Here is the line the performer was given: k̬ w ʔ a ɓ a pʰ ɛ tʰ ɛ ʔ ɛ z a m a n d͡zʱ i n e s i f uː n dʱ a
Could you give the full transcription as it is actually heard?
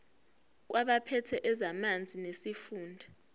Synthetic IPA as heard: k̬ w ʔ a ɓ a pʰ ɛ tʰ ɛ ʔ ɛ z a m a n d͡zʱ i n e s i f uː n dʱ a